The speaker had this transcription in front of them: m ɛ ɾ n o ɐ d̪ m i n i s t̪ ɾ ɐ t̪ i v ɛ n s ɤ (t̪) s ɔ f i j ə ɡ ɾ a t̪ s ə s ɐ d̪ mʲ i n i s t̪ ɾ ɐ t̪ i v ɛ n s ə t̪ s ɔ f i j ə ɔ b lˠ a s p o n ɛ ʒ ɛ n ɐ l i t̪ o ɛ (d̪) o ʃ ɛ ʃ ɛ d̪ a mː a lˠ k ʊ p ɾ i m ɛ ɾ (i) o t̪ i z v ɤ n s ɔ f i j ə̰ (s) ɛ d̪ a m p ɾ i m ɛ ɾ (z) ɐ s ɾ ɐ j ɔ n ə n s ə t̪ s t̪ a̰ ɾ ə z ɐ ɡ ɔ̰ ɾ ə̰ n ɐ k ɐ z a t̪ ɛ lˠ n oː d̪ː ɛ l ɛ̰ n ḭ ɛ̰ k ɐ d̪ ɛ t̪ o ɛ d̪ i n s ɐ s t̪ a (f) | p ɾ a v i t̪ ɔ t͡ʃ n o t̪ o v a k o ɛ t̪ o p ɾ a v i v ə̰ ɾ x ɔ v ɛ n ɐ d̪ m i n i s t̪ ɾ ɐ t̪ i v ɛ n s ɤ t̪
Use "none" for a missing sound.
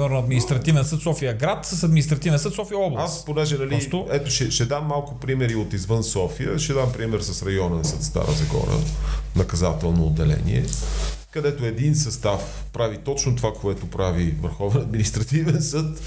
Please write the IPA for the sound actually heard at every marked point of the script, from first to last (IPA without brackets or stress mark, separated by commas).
t̪, t̪, i, ʃ, s, f